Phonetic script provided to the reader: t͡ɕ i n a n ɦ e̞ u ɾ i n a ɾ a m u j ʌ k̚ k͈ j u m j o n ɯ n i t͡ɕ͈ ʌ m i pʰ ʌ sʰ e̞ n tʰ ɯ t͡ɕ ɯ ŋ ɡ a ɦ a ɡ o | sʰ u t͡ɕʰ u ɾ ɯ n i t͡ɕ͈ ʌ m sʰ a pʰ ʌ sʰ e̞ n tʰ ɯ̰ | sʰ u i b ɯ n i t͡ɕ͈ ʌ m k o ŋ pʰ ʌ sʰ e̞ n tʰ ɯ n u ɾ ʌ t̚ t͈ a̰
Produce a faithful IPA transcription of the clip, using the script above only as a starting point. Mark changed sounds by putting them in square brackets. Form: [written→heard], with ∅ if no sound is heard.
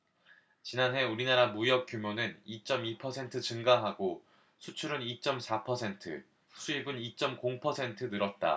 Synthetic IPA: t͡ɕ i n a n ɦ e̞ u ɾ i n a ɾ a m u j ʌ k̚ k͈ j u m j o n ɯ n i t͡ɕ͈ ʌ m i pʰ ʌ sʰ e̞ n tʰ ɯ t͡ɕ ɯ ŋ ɡ a ɦ a ɡ o | sʰ u t͡ɕʰ u ɾ ɯ n i t͡ɕ͈ ʌ m sʰ a pʰ ʌ sʰ e̞ n tʰ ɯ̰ | sʰ u i b ɯ n i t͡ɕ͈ ʌ m k o ŋ pʰ ʌ sʰ e̞ n tʰ ɯ n [u→ɯ] ɾ ʌ t̚ t͈ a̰